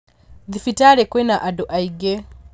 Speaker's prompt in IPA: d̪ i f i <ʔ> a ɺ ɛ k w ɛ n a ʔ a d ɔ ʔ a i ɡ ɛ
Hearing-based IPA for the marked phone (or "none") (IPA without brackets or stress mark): t